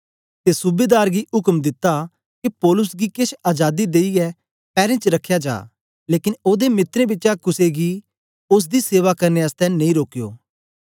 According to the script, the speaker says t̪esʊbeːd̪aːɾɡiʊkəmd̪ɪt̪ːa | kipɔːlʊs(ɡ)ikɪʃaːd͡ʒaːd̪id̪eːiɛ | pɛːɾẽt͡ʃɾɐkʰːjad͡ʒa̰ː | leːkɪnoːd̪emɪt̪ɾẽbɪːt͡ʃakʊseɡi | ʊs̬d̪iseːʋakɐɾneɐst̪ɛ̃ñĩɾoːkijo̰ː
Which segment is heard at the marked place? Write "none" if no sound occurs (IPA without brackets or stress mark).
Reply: ɡ